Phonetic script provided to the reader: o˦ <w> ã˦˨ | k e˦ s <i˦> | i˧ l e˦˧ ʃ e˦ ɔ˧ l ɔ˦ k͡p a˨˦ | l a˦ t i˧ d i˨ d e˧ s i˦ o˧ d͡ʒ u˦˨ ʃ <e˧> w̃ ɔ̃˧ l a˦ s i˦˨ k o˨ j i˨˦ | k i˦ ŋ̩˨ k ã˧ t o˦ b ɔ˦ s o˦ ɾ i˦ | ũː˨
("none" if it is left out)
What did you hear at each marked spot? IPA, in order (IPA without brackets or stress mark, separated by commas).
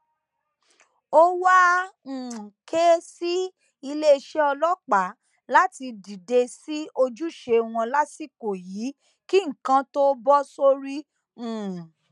w, i˦, e˧